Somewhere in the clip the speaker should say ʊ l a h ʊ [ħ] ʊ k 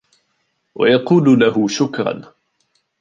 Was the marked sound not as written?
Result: yes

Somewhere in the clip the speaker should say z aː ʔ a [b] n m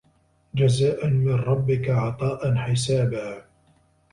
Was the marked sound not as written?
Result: yes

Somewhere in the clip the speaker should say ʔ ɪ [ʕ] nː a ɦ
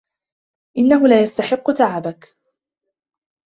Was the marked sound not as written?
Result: yes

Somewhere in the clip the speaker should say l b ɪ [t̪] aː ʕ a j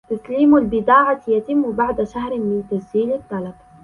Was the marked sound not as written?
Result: yes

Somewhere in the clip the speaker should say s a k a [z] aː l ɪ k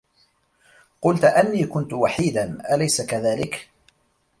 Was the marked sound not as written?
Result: yes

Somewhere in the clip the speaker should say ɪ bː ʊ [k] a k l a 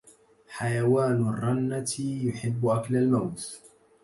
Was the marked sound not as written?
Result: yes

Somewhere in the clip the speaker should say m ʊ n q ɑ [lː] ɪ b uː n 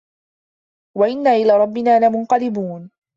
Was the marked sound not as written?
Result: yes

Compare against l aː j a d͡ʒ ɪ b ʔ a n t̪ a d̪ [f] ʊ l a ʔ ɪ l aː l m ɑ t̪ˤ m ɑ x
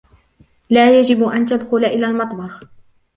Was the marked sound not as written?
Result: yes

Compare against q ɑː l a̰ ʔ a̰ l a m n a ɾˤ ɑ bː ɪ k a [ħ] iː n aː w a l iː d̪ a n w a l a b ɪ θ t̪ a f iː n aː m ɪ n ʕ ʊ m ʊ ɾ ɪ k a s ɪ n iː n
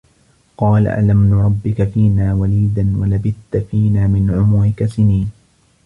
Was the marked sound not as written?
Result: yes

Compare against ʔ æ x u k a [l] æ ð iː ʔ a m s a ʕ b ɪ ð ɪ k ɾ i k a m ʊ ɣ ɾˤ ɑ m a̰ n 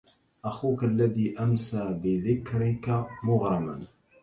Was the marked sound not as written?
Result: yes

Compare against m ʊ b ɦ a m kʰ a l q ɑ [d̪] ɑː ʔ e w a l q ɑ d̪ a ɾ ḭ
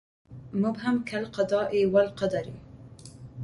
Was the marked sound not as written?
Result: no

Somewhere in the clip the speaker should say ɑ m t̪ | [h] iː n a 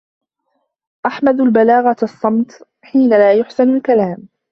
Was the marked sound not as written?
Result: yes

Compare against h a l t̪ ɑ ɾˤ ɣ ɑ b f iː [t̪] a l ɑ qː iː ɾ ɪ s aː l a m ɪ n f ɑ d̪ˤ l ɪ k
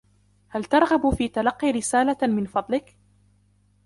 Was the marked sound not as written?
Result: no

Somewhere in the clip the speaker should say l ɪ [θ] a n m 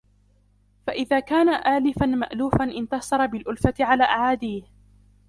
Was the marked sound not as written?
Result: yes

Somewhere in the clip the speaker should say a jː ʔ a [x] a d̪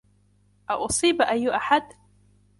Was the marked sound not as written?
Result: yes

